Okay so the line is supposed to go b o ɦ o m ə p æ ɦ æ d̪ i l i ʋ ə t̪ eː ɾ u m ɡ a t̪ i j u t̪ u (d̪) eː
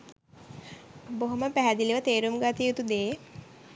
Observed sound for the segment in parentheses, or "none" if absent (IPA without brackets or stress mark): d̪